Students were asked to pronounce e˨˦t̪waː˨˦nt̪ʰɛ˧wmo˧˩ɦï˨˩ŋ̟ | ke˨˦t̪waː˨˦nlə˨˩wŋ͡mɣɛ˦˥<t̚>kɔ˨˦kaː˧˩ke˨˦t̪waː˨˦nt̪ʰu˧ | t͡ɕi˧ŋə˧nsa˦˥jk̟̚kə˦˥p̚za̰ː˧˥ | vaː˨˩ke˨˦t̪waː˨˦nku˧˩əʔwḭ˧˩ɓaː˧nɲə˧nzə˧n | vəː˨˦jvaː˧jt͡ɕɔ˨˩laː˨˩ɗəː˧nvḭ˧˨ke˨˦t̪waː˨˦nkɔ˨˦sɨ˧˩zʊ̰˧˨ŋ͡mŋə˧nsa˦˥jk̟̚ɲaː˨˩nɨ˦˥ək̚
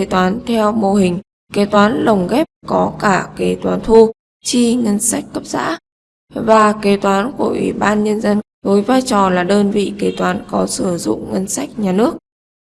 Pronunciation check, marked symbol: incorrect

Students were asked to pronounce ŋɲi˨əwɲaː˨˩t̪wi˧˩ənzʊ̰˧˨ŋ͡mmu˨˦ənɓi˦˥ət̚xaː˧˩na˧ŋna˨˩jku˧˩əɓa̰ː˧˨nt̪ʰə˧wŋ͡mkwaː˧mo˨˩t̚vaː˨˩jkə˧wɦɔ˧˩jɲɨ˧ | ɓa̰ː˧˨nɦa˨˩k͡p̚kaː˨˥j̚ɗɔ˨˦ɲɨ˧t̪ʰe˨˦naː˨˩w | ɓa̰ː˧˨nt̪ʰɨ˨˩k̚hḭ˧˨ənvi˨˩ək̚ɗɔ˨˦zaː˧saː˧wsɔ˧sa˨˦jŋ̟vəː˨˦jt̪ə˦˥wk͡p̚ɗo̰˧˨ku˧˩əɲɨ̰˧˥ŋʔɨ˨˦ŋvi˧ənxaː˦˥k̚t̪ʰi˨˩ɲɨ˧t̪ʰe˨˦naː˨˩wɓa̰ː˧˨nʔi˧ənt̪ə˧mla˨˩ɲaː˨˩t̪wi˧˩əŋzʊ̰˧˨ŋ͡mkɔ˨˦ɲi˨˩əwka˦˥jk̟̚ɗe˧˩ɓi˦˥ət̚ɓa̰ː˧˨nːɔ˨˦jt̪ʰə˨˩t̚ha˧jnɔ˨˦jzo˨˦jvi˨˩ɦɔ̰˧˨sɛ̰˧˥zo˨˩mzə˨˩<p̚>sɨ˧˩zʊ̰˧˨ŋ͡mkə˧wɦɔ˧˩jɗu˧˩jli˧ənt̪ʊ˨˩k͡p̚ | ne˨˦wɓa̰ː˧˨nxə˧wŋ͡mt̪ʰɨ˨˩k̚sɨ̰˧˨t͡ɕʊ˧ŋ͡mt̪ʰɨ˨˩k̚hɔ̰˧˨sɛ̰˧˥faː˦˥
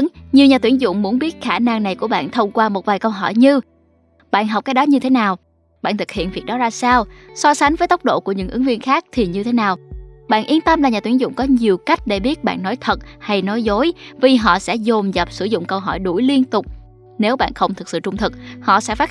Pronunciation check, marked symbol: correct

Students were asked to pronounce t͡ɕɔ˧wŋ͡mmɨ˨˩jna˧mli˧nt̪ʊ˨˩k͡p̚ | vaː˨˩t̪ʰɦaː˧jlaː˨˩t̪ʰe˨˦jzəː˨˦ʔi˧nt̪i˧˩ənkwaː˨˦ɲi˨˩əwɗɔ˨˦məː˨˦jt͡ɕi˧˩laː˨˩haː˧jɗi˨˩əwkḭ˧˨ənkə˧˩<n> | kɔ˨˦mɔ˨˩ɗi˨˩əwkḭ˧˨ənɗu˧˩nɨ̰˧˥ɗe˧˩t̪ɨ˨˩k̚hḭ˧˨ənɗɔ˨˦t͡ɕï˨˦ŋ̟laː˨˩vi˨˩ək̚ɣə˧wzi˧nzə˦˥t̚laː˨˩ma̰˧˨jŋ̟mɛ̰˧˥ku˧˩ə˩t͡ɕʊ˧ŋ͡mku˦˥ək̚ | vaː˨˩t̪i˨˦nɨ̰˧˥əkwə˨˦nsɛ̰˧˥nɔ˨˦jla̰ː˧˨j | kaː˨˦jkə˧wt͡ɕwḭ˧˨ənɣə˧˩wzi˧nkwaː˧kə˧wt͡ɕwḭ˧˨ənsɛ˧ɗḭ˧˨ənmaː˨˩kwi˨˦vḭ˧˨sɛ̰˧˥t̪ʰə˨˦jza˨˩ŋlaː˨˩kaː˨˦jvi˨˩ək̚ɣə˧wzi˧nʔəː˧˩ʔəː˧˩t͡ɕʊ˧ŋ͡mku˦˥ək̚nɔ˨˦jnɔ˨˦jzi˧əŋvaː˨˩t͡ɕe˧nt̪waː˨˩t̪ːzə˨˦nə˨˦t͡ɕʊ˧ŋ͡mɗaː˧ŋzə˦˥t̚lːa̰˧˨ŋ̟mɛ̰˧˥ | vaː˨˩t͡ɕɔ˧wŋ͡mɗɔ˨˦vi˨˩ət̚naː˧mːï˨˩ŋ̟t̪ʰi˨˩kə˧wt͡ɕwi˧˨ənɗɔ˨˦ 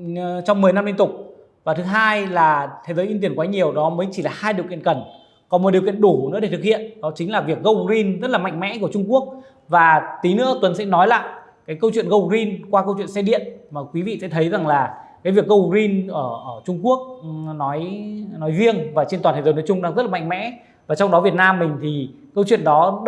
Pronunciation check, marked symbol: correct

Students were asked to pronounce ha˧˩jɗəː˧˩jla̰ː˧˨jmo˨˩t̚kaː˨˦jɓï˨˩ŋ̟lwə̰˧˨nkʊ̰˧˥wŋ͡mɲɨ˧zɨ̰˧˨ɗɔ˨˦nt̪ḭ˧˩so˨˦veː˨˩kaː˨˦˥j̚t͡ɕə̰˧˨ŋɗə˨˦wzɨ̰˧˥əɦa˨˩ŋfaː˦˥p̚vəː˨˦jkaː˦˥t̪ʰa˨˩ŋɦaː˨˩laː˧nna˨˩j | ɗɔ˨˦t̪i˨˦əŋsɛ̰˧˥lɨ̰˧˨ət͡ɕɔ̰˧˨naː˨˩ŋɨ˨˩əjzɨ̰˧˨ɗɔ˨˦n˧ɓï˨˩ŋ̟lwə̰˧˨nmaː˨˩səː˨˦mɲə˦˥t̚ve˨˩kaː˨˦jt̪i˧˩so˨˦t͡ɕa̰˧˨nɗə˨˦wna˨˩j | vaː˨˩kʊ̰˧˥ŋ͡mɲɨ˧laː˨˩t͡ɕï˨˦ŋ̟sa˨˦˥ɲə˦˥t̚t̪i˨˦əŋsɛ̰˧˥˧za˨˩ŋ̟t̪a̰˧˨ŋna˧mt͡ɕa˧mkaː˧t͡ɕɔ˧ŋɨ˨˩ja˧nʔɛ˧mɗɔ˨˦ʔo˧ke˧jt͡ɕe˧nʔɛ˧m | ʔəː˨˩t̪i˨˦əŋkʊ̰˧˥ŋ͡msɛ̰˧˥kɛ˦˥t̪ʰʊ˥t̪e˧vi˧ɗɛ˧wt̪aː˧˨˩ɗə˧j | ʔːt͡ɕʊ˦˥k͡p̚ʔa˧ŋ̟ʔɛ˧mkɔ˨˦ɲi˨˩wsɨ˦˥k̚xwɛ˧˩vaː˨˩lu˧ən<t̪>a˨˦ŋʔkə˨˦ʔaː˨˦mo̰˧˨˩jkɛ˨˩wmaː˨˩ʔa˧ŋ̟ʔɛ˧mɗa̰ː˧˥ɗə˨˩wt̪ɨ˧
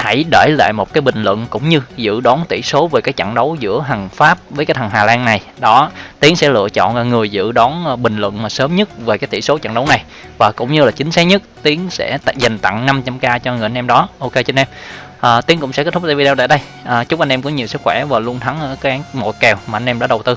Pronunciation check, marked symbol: incorrect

